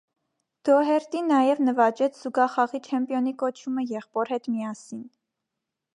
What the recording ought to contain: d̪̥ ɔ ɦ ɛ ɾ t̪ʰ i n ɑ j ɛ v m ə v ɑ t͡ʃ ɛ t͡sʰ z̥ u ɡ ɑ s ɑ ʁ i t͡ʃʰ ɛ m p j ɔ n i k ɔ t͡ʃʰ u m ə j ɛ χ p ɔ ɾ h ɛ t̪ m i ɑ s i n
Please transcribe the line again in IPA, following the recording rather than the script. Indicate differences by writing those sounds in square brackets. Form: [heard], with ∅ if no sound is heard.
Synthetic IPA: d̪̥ ɔ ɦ ɛ ɾ [t̪] i n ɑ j ɛ v [n] ə v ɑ t͡ʃ ɛ t͡sʰ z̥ u ɡ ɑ [χ] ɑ ʁ i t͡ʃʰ ɛ m p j ɔ n i k ɔ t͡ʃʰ u m ə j ɛ χ p ɔ ɾ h ɛ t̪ m i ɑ s i n